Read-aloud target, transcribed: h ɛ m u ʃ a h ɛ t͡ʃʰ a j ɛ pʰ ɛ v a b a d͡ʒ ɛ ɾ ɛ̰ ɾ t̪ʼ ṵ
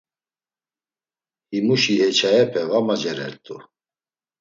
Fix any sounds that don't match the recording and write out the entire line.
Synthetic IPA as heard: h i m u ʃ i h ɛ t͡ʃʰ a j ɛ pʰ ɛ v a m a d͡ʒ ɛ ɾ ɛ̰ ɾ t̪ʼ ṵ